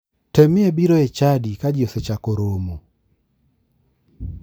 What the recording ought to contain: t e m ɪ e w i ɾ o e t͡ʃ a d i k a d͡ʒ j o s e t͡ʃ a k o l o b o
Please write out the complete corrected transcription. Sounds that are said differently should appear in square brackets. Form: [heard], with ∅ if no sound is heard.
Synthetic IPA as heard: t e m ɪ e [b] i ɾ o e t͡ʃ a d i k a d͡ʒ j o s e t͡ʃ a k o [ɾ] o [m] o